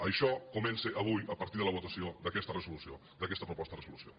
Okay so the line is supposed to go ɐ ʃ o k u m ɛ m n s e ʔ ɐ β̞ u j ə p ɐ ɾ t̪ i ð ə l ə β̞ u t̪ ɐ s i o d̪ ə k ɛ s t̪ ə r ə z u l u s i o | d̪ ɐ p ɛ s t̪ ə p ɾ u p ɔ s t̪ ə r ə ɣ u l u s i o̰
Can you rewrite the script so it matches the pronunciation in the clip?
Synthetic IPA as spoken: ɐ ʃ ɔ k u m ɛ n s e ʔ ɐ β̞ u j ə p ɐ ɾ t̪ i ð ə l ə β̞ u t̪ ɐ s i o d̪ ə k ɛ s t̪ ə r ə z u l u s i o | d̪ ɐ k ɛ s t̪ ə p ɾ u p ɔ s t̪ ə r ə z u l u s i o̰

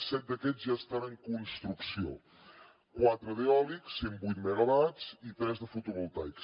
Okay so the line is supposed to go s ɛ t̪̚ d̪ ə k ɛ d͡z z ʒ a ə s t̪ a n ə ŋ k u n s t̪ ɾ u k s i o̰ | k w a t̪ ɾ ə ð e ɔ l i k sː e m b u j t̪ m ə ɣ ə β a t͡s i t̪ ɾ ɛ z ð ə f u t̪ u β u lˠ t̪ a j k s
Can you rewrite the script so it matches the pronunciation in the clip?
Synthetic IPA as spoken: s ɛ t̪̚ d̪ ə k ɛ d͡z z ʒ a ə s t̪ a n ə ŋ k u n s t̪ ɾ u k s i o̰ | k w a t̪ ɾ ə ð e ɔ l i k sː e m b u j t̪ m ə ɣ ə β a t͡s i t̪ ɾ ɛ z ð ə f u t̪ u β u lˠ t̪ a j k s

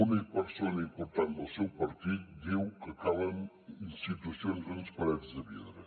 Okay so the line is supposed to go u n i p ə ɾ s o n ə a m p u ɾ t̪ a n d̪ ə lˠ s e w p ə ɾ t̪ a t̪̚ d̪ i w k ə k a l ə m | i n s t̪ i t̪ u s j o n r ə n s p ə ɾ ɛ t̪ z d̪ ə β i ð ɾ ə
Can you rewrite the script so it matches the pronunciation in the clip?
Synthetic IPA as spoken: u n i p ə ɾ s o n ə i m p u ɾ t̪ a n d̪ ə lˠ s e w p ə ɾ t̪ i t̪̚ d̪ i w k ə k a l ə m | i n s t̪ i t̪ u s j o n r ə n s p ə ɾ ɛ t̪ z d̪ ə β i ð ɾ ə

